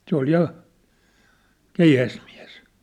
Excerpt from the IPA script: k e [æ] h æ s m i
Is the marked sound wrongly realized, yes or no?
yes